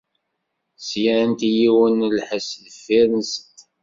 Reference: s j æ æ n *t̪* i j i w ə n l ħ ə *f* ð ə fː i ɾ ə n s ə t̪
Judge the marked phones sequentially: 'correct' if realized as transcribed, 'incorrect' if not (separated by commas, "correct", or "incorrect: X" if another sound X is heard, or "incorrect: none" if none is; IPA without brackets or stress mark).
correct, incorrect: s